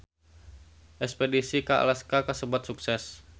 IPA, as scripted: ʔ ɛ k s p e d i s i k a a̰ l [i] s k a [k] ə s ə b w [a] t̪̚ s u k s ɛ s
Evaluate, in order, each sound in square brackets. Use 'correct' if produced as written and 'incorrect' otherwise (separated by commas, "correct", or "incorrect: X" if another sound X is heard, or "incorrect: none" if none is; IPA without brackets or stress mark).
incorrect: a, correct, correct